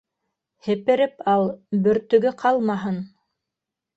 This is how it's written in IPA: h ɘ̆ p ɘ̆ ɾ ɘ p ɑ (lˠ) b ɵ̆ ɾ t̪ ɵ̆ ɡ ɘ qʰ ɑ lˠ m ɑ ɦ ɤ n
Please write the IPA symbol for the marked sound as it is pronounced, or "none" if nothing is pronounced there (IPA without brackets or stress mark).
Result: lˠ